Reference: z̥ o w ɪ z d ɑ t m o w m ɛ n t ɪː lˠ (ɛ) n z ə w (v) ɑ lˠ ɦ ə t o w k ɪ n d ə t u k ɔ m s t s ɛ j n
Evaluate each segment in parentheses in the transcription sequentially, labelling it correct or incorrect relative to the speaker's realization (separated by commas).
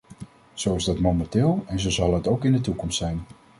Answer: correct, incorrect